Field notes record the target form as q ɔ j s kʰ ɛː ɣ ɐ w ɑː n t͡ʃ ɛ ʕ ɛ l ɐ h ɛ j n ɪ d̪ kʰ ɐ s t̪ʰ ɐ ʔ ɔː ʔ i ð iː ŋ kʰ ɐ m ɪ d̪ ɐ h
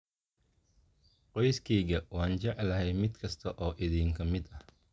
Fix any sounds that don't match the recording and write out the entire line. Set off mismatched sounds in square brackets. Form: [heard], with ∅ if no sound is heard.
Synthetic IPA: q ɔ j s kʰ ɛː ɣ ɐ w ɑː n t͡ʃ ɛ ʕ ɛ l ɐ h ɛ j [m] ɪ d̪ kʰ ɐ s t̪ʰ ɐ ʔ ɔː ʔ [ɪ] ð iː ŋ kʰ ɐ m ɪ d̪ ɐ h